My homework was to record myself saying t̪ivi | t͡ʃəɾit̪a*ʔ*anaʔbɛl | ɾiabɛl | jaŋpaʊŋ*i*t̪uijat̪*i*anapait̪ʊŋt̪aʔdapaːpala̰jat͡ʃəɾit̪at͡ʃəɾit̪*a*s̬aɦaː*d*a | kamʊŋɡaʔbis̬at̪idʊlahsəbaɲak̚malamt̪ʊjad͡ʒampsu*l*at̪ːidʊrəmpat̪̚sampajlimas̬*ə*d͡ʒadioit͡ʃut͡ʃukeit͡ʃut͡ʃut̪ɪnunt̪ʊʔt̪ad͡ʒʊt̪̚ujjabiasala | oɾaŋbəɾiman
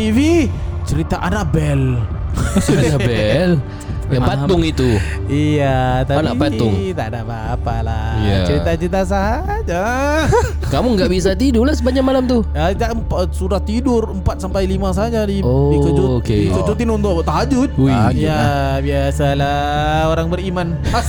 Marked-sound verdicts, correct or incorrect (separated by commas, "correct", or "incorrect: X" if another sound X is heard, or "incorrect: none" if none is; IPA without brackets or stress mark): correct, correct, incorrect: a, correct, incorrect: d͡ʒ, incorrect: ɾ, incorrect: a